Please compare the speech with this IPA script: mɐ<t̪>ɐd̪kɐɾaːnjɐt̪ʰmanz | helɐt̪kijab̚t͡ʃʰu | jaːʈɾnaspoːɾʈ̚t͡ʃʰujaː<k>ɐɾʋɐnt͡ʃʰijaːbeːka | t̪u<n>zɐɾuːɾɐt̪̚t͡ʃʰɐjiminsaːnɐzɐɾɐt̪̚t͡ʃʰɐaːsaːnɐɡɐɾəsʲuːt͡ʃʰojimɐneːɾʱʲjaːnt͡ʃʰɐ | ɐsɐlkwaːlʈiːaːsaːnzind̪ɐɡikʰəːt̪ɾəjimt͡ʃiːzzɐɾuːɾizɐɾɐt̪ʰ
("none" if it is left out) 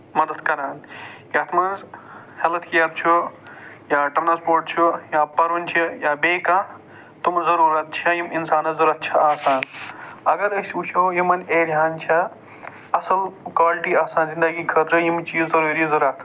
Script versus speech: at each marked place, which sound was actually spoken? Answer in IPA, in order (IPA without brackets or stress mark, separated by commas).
d̪, p, m